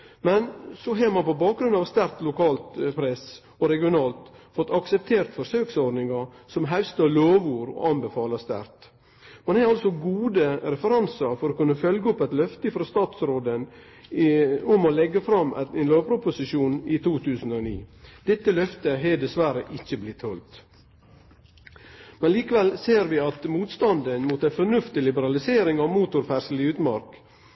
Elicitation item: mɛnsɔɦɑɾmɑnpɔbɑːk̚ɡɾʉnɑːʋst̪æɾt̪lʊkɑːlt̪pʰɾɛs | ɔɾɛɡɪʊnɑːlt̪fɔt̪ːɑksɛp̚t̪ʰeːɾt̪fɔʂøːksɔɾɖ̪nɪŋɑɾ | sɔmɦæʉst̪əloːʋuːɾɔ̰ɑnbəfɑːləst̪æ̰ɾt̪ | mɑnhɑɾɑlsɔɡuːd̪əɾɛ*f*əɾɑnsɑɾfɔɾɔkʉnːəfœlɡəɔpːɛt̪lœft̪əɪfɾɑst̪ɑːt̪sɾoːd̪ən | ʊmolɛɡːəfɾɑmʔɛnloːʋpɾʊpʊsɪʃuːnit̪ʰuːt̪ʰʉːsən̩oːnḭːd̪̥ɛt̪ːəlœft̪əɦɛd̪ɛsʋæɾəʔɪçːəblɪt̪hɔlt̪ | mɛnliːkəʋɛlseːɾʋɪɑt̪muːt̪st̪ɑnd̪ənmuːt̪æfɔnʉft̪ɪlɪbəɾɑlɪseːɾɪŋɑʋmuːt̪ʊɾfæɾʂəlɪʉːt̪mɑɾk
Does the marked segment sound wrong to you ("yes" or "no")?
no